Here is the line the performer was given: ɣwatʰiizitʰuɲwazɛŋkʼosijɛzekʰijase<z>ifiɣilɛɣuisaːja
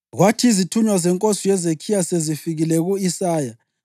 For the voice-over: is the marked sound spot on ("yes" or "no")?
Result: yes